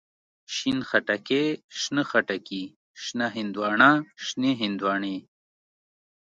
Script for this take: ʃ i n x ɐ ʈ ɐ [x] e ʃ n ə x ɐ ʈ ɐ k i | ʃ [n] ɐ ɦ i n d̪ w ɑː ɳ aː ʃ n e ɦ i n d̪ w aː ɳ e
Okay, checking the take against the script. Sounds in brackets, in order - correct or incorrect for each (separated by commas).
incorrect, correct